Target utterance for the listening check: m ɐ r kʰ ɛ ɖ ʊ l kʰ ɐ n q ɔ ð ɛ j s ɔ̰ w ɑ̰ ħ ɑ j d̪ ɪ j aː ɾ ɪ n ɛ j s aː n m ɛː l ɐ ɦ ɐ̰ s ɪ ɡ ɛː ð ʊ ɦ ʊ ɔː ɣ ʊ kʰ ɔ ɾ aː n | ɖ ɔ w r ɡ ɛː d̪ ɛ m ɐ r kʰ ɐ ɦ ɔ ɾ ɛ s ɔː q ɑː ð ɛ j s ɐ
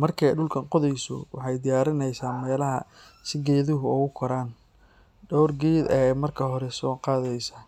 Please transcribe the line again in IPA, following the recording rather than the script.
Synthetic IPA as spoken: m ɐ r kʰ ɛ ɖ ʊ l kʰ ɐ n q ɔ ð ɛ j s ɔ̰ w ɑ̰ ħ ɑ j d̪ ɪ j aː ɾ ɪ n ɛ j s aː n m ɛː l ɐ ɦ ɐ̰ s ɪ ɡ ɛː ð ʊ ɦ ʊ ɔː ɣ ʊ kʰ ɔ ɾ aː n | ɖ ɔ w r ɡ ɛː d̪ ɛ m ɐ r kʰ ɐ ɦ ɔ ɾ ɛ s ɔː q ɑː ð ɛ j s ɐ